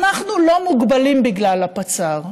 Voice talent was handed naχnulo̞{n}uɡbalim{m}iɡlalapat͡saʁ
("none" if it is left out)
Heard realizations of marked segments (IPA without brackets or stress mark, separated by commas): m, b